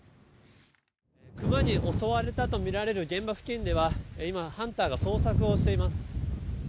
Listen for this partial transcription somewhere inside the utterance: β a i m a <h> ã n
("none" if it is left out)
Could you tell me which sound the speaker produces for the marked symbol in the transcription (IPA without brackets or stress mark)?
h